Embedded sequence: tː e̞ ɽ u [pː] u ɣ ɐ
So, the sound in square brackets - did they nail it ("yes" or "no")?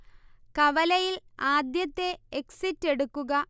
no